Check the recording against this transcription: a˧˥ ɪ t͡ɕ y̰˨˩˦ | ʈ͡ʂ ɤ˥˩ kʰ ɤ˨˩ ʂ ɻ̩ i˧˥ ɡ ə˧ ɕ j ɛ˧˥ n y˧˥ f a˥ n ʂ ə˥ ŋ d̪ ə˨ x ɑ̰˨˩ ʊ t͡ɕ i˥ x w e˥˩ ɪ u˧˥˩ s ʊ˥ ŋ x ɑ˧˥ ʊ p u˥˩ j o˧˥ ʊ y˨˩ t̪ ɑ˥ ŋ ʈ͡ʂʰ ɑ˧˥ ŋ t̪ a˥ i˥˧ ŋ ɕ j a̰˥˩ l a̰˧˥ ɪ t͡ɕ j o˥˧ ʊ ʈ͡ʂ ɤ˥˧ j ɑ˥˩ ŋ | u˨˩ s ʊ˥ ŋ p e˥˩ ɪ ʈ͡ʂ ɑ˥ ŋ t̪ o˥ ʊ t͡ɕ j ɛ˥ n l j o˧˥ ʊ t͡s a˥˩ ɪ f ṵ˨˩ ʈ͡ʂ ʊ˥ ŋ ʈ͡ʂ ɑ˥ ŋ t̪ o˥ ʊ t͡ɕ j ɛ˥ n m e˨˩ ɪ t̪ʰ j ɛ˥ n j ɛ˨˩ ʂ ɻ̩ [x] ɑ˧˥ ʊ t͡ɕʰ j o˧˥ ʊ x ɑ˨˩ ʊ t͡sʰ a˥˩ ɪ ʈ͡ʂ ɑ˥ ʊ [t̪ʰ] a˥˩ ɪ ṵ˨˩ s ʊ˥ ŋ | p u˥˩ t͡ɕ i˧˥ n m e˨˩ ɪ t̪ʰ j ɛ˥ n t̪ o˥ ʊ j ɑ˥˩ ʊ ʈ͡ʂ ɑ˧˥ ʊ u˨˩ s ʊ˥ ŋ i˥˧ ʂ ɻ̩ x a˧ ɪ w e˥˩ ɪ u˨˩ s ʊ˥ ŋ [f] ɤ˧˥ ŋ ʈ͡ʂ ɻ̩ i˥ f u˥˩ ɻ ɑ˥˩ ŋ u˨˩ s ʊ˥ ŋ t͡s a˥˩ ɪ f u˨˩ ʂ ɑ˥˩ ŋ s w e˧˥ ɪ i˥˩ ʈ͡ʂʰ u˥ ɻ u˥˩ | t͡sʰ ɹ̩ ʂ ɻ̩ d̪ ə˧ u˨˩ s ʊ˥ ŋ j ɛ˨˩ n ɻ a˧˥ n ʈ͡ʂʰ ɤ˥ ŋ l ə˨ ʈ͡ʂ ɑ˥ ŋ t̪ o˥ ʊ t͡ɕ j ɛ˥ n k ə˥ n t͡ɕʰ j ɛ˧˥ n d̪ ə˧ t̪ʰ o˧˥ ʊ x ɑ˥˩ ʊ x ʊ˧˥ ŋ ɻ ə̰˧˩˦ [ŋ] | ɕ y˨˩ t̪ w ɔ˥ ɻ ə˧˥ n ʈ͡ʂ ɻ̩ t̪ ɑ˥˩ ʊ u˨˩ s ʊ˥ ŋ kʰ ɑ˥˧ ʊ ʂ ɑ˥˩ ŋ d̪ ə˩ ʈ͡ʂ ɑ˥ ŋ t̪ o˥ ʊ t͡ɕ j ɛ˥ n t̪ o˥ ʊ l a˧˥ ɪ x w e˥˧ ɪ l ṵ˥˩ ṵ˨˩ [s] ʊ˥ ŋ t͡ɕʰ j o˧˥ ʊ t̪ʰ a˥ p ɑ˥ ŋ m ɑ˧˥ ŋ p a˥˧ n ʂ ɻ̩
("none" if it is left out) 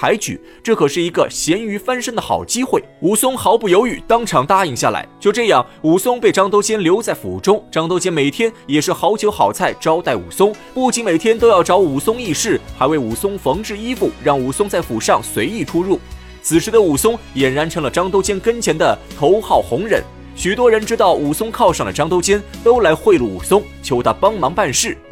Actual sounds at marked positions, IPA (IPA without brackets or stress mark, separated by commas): x, t̪, f, n, s